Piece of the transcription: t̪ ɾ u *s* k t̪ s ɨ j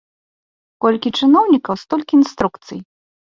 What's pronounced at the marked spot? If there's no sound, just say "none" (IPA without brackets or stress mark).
none